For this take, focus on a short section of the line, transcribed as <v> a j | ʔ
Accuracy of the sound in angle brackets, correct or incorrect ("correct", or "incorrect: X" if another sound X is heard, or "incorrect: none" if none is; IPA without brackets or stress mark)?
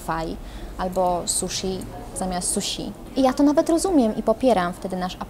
incorrect: f